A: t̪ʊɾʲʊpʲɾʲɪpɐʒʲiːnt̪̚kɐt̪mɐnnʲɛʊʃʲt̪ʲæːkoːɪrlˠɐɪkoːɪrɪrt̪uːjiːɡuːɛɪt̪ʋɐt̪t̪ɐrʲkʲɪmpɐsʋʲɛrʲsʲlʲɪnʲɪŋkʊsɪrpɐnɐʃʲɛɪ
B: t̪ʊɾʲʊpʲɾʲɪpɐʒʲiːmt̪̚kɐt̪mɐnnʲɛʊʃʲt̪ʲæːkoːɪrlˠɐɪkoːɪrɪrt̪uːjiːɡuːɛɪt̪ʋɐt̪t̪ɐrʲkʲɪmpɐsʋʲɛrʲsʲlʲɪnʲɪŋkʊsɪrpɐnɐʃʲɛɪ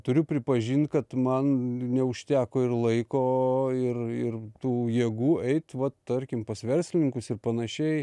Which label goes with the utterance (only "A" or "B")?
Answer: A